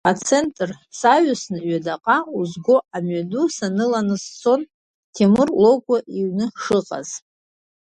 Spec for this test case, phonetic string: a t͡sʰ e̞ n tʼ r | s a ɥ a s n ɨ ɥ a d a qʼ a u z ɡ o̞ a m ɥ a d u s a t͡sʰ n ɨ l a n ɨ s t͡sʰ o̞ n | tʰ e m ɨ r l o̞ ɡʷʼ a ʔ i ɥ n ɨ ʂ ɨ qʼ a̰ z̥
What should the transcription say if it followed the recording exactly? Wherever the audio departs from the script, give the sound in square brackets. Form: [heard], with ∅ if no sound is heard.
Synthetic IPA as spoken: a t͡sʰ e̞ n tʼ r | s a ɥ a s n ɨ ɥ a d a qʼ a u z ɡ o̞ a m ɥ a d u s a [∅] n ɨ l a n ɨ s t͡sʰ o̞ n | tʰ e m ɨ r l o̞ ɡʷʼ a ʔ i ɥ n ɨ ʂ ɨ qʼ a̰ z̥